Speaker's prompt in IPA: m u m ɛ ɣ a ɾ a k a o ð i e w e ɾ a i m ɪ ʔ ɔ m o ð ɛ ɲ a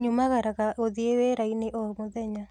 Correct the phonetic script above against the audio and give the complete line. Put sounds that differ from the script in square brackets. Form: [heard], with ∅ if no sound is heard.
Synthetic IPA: [ɲ] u m [a] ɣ a ɾ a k a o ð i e w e ɾ a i [n] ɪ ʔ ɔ m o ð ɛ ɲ a